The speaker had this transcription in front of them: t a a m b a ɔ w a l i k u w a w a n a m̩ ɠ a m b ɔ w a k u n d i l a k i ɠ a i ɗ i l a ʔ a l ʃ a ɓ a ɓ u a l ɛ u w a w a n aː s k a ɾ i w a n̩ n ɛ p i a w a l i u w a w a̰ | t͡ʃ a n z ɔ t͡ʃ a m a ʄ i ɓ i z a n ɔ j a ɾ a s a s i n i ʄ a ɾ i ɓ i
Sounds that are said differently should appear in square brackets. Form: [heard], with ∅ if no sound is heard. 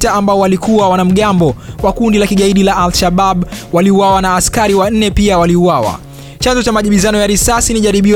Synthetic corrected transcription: t a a m b a ɔ w a l i k u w a w a n a m̩ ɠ a m b ɔ w a k u n d i l a k i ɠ a i ɗ i l a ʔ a l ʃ a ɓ a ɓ [w] a l [i] u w a w a n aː s k a ɾ i w a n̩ n ɛ p i a w a l i u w a w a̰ | t͡ʃ a n z ɔ t͡ʃ a m a ʄ i ɓ i z a n ɔ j a ɾ [i] s a s i n i ʄ a ɾ i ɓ i